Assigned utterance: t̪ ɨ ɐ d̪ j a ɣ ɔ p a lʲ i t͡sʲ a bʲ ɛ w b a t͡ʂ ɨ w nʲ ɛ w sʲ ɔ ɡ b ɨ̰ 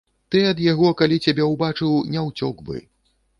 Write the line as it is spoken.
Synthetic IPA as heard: t̪ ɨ ɐ d̪ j a ɣ ɔ k a lʲ i t͡sʲ a bʲ ɛ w b a t͡ʂ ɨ w nʲ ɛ w t͡sʲ ɔ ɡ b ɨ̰